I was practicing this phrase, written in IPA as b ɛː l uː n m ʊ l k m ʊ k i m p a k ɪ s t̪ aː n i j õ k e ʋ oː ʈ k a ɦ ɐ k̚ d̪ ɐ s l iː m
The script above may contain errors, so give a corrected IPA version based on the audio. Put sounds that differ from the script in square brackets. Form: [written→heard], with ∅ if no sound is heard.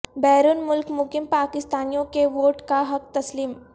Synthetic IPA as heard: b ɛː [l→ɾ] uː n m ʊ l k m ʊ k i m p a k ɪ s t̪ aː n i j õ k e ʋ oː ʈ k a ɦ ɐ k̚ [d̪→t̪] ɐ s l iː m